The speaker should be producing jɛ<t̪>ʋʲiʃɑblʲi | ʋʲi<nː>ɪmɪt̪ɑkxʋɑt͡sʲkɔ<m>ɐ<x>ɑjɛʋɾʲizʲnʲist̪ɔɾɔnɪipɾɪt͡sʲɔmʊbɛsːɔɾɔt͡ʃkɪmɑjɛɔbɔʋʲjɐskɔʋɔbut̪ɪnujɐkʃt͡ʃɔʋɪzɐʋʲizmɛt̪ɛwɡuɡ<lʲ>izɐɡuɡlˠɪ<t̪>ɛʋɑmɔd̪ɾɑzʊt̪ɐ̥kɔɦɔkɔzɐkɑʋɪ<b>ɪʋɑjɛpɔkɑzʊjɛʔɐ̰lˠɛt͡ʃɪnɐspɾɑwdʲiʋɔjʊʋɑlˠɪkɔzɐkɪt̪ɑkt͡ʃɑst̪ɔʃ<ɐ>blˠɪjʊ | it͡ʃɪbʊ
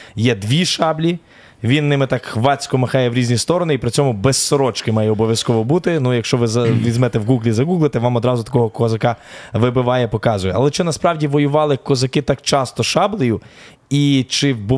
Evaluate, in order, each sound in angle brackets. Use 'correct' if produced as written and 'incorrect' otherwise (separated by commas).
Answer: incorrect, correct, correct, correct, correct, correct, correct, incorrect